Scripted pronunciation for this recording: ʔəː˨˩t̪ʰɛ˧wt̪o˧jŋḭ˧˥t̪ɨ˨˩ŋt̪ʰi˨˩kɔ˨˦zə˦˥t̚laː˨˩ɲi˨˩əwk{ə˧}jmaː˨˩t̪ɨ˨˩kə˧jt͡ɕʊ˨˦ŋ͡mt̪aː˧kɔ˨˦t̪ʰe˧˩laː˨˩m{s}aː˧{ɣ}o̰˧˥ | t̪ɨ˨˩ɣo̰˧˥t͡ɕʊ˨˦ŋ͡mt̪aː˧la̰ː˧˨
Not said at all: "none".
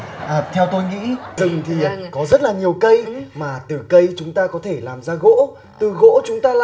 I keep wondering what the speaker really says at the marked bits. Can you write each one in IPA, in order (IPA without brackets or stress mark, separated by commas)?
ə˧, z, ɣ